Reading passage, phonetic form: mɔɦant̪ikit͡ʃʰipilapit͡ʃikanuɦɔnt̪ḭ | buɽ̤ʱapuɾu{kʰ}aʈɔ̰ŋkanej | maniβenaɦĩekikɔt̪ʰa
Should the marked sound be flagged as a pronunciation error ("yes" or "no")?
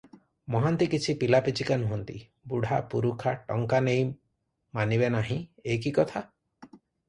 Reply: no